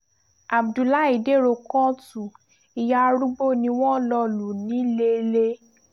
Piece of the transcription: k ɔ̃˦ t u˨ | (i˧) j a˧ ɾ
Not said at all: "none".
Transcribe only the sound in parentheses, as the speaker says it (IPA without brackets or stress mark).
i˧